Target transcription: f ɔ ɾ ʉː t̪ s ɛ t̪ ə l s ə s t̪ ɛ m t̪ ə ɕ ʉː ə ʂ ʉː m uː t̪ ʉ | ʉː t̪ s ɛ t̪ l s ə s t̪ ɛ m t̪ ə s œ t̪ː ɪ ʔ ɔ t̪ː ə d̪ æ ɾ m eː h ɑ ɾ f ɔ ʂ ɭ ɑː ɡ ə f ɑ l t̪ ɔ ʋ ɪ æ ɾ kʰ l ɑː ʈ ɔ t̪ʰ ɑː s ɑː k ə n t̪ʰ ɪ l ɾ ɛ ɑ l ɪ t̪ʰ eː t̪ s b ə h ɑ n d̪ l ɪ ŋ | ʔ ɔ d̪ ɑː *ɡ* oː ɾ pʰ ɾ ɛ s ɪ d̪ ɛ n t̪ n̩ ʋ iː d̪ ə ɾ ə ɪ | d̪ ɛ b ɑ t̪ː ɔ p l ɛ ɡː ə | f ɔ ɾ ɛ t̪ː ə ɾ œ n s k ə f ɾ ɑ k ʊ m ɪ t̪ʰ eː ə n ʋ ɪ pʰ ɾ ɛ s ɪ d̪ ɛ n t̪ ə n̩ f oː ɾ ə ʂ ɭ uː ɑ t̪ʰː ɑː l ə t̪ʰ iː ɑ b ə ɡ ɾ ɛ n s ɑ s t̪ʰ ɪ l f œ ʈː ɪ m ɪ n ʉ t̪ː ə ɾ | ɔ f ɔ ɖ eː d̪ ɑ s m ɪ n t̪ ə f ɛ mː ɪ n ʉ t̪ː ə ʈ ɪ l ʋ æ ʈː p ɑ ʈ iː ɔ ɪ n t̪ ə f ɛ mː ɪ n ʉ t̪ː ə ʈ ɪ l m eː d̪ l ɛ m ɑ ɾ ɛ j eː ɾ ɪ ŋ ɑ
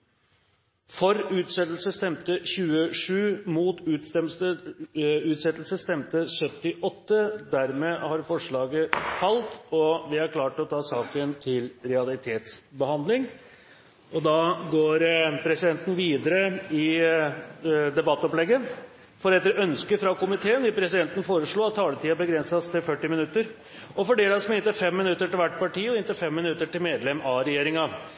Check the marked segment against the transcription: correct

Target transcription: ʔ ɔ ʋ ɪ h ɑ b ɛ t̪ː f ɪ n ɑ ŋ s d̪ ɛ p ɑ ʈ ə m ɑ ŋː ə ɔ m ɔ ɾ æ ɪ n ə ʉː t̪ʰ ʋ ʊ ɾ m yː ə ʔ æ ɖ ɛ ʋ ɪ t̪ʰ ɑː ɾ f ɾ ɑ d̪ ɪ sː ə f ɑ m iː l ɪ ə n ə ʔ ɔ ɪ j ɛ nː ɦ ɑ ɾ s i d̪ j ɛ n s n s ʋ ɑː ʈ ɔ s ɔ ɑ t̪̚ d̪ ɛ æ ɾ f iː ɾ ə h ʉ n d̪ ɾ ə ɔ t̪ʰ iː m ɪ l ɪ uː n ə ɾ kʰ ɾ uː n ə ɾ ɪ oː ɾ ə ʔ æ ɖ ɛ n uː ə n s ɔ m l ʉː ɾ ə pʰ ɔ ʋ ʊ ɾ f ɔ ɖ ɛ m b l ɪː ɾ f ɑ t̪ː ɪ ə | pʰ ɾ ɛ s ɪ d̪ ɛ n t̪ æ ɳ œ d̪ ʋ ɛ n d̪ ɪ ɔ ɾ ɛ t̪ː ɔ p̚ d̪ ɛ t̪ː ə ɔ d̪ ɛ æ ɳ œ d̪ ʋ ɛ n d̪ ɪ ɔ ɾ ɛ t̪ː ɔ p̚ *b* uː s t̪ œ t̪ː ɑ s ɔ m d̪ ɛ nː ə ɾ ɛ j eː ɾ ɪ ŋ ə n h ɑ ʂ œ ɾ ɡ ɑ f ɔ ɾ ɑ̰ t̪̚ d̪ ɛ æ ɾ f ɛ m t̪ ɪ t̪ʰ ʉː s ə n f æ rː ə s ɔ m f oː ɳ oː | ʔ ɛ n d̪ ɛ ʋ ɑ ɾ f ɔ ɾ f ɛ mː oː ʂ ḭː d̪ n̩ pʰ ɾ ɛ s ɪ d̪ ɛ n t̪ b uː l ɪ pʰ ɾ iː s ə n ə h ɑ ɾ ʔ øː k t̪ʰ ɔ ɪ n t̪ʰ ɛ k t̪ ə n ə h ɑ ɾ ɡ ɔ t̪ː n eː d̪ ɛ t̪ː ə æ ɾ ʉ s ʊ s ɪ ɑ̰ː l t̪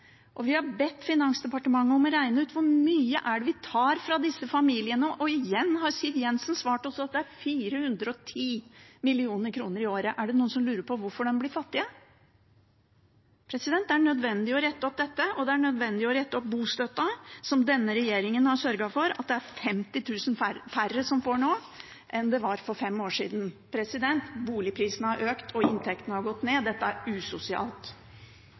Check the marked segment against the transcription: correct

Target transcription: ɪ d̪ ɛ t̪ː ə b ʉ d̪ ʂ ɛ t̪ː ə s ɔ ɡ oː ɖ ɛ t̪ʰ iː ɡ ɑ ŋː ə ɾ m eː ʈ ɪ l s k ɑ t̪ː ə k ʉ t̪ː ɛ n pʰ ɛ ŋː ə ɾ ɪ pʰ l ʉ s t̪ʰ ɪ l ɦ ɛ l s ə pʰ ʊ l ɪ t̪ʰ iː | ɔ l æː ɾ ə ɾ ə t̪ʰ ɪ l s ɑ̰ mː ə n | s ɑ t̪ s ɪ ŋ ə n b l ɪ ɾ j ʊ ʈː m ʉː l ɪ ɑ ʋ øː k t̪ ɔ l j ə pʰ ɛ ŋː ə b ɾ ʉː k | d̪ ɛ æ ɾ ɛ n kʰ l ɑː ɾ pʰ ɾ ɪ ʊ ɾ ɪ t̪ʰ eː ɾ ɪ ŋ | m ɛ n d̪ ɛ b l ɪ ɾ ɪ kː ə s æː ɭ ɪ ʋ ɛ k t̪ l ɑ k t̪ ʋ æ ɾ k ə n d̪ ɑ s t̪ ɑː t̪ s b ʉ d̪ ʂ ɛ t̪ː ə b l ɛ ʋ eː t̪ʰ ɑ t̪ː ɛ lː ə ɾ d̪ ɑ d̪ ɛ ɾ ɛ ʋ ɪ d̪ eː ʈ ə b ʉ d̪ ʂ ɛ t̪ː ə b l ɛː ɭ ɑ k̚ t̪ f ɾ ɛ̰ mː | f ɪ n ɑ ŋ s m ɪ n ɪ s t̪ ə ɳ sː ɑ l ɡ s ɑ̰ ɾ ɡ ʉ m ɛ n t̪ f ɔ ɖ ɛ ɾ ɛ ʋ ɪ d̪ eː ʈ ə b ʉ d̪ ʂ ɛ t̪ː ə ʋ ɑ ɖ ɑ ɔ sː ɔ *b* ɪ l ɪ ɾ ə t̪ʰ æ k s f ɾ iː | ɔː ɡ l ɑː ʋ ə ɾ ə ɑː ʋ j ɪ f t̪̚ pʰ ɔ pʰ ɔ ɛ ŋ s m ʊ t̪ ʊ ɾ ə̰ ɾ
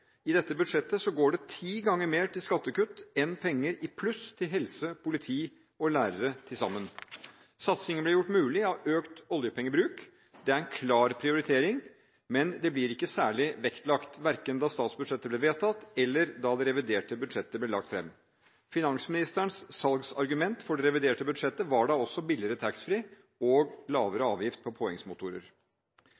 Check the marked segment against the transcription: correct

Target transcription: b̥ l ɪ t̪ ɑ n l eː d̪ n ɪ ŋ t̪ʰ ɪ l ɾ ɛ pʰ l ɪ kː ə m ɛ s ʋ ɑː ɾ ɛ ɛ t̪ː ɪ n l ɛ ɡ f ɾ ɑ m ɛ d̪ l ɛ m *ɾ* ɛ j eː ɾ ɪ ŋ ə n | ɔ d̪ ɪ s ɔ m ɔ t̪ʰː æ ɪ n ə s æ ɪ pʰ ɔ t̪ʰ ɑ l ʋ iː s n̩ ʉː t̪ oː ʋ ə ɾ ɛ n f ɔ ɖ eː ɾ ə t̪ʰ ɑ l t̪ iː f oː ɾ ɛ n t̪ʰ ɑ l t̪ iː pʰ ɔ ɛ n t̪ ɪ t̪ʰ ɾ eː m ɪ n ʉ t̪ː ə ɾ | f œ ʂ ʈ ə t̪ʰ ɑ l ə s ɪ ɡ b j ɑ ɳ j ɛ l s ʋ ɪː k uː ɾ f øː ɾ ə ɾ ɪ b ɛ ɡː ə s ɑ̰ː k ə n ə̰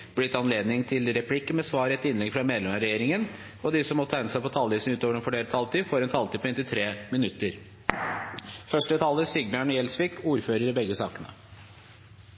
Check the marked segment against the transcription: correct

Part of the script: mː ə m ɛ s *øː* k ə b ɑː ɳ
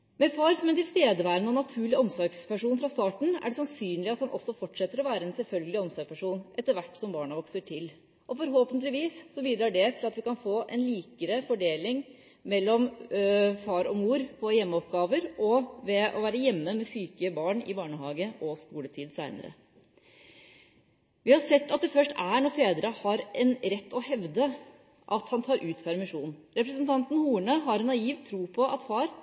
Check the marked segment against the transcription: incorrect: yː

